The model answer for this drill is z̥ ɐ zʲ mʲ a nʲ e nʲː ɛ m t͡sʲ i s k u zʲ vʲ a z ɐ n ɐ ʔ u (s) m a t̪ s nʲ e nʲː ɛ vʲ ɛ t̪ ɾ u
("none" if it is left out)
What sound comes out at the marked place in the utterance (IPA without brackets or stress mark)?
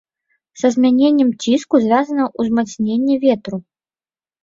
z